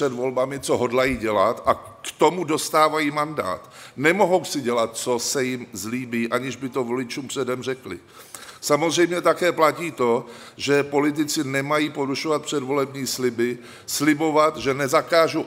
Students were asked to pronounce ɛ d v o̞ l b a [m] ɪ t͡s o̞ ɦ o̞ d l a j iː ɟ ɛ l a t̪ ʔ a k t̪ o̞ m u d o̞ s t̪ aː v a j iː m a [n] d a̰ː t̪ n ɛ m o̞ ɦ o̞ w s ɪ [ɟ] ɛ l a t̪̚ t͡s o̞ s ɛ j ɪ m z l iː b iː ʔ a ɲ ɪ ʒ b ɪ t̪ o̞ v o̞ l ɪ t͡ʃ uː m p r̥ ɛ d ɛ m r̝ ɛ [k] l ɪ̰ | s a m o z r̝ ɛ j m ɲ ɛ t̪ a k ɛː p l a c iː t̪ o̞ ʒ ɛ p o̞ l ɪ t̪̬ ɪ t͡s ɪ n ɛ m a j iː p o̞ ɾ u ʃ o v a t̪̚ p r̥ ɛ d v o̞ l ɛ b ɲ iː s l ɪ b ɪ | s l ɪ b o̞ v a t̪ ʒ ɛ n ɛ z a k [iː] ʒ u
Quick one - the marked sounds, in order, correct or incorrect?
correct, correct, correct, correct, incorrect

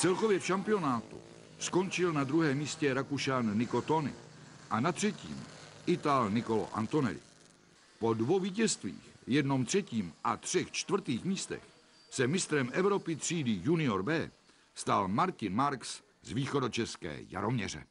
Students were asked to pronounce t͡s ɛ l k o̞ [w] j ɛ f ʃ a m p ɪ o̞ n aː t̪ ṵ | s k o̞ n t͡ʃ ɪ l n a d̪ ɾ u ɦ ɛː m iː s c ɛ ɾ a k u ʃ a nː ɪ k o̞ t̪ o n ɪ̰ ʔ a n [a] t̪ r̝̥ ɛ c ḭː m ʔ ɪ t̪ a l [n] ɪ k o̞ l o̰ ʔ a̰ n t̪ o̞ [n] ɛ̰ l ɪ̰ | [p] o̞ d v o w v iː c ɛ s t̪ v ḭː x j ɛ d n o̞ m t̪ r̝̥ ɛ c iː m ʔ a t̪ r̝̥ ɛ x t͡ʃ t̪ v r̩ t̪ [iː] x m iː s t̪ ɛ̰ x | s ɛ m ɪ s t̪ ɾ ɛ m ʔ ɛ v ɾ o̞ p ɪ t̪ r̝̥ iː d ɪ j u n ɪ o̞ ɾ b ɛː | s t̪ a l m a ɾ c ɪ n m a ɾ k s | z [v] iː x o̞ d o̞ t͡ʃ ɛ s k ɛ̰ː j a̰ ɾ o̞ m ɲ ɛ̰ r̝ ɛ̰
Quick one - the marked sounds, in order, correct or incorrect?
incorrect, correct, correct, correct, correct, correct, correct

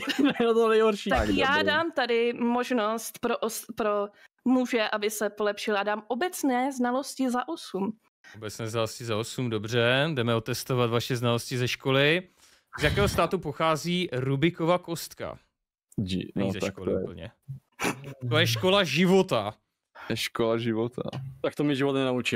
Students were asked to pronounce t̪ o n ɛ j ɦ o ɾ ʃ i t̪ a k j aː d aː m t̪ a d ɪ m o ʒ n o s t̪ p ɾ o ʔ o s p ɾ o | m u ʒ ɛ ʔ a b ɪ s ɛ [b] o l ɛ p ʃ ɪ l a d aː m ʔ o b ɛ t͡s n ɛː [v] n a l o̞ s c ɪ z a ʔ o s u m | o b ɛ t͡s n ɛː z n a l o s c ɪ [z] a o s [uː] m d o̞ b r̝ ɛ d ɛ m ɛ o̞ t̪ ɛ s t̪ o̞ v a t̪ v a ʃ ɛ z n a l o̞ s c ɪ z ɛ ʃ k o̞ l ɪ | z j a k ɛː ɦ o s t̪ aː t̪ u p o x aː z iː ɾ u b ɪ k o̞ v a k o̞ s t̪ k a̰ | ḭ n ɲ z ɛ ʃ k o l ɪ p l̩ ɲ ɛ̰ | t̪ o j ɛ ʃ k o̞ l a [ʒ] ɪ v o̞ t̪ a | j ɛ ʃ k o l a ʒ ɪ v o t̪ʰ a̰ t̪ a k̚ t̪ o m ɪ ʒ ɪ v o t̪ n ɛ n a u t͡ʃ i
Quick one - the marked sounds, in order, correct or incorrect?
incorrect, incorrect, correct, incorrect, correct

